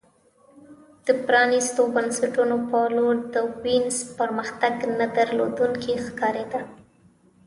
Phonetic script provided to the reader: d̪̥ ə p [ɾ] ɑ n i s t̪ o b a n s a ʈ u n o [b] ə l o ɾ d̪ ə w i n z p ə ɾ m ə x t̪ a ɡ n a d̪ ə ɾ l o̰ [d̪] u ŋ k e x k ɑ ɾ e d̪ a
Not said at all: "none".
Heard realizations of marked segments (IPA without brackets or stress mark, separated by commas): ɾ, p, d̪